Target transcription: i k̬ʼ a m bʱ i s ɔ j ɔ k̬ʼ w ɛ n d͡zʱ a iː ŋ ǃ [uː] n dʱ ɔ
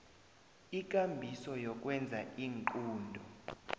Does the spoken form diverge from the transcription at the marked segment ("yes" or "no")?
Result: no